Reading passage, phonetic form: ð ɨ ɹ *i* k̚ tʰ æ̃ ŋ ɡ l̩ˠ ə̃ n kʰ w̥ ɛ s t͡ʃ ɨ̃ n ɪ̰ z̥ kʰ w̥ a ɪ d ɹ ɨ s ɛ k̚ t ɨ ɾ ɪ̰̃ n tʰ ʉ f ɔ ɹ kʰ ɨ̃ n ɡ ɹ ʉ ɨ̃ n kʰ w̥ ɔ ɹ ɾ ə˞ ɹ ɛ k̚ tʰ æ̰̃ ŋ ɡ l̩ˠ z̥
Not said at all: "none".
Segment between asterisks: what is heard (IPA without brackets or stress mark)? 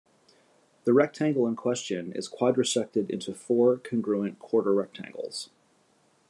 ɛ